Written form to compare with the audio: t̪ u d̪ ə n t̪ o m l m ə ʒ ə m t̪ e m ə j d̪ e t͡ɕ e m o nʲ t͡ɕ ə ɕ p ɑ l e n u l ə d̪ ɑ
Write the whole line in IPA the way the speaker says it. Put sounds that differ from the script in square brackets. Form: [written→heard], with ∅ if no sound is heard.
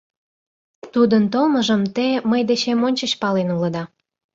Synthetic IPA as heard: t̪ u d̪ ə n t̪ o [m→∅] l m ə ʒ ə m t̪ e m ə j d̪ e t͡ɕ e m o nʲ t͡ɕ ə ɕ p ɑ l e n u l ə d̪ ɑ